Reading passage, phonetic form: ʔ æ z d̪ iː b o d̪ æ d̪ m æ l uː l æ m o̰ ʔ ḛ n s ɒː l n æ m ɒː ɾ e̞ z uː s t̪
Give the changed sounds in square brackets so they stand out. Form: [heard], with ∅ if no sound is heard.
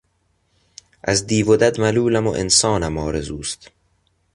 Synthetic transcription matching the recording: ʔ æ z d̪ iː [v] o d̪ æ d̪ m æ l uː l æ m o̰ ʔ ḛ n s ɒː [∅] n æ m ɒː ɾ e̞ z uː s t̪